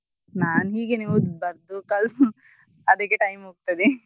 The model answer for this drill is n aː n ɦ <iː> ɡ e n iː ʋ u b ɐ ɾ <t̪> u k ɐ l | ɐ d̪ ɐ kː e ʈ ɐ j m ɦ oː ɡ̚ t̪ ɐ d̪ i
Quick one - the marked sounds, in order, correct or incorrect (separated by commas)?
correct, incorrect